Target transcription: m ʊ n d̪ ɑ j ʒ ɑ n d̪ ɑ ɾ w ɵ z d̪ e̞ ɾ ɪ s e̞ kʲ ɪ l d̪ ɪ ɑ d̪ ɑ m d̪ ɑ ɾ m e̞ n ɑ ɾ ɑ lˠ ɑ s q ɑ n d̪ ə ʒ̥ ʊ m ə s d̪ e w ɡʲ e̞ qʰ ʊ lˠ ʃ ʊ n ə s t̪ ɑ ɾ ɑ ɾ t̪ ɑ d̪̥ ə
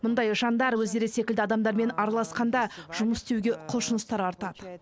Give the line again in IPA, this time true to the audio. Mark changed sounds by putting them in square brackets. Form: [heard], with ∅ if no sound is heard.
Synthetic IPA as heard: m ʊ n d̪ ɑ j ʒ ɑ n d̪ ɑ ɾ w ɵ z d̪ e̞ ɾ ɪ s e̞ kʲ ɪ l d̪ ɪ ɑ d̪ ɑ m d̪ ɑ ɾ m e̞ n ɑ ɾ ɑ lˠ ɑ s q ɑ n d̪ [ɑ] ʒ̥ ʊ m ə s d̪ e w ɡʲ e̞ qʰ ʊ lˠ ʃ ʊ n ə s t̪ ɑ ɾ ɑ ɾ t̪ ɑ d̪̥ ə